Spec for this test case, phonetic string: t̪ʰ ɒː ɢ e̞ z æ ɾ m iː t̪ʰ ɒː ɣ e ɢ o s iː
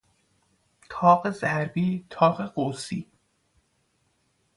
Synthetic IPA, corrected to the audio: t̪ʰ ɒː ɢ e̞ z æ ɾ b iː t̪ʰ ɒː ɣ e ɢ o s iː